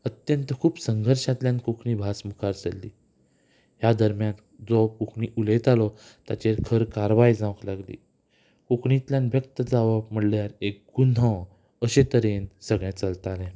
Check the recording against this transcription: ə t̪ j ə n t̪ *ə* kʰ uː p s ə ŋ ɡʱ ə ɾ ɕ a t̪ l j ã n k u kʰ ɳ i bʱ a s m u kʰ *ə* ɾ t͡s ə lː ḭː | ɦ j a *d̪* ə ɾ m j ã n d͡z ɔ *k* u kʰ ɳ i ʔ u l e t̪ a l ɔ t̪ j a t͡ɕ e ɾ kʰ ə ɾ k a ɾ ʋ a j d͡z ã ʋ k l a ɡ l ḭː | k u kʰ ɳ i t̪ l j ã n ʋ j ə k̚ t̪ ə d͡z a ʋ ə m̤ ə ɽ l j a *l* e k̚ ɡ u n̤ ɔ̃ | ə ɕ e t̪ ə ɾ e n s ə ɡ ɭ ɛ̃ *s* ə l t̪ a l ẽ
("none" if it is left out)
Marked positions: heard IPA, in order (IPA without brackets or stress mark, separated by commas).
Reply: ə, a, d̪, k, ɾ, t͡s